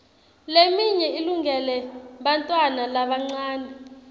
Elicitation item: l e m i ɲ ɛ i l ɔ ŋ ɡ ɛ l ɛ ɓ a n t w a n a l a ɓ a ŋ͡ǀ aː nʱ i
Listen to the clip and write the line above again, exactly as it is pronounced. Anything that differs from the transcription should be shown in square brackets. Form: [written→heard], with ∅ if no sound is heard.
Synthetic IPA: l e m i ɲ ɛ i l [ɔ→u] ŋ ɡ ɛ l ɛ ɓ a n [t→tʼ] w a n a l a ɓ a ŋ͡ǀ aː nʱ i